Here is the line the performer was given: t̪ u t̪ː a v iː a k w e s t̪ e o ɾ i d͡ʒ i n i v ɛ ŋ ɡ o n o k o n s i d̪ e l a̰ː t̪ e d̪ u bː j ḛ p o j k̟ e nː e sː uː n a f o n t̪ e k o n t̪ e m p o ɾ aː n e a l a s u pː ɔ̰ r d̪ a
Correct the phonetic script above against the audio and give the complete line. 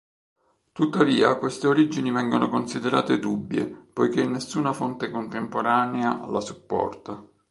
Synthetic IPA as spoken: t̪ u t̪ː a v iː a k w e s t̪ e o ɾ i d͡ʒ i n i v ɛ ŋ ɡ o n o k o n s i d̪ e ɾ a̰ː t̪ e d̪ u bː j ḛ p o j k̟ e nː e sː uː n a f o n t̪ e k o n t̪ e m p o ɾ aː n e a l a s u pː ɔ̰ r t̪ a